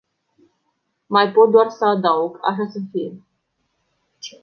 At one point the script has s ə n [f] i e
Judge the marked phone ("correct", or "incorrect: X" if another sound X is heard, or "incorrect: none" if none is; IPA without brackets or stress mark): correct